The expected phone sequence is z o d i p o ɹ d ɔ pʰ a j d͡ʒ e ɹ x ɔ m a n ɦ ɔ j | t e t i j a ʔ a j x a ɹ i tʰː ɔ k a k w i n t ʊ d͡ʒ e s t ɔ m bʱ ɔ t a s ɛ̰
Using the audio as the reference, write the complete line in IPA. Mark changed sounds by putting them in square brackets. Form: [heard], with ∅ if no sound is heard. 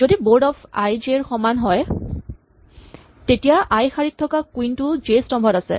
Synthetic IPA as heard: z o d i [b] o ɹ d ɔ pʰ a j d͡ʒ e ɹ x ɔ m a n ɦ ɔ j | t e t i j a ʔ a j x a ɹ i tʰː ɔ k a k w i n t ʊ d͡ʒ e s t ɔ m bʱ ɔ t a s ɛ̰